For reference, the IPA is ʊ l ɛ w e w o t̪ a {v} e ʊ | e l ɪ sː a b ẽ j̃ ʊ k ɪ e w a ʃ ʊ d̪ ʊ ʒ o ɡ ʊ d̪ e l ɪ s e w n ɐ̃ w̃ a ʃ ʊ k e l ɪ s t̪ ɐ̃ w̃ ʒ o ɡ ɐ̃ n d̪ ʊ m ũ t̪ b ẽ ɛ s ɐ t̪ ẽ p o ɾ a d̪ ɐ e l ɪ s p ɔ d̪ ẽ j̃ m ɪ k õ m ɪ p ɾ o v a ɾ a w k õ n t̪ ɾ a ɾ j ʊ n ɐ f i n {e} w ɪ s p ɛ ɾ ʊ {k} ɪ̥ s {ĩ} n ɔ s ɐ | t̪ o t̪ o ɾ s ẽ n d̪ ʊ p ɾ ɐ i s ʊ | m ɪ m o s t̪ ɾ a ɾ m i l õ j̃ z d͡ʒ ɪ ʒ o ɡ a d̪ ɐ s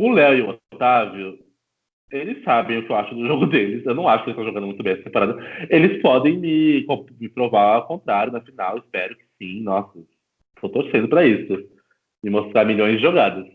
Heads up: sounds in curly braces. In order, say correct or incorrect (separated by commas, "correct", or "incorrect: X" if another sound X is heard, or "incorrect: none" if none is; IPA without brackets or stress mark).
correct, incorrect: a, correct, correct